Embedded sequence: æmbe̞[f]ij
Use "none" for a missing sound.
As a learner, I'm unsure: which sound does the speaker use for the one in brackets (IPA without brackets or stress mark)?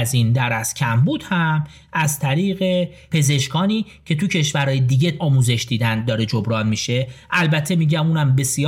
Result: s